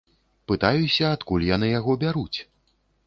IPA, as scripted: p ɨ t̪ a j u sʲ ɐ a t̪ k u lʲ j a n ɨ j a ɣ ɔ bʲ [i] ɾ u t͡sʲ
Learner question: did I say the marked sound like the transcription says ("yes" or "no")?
no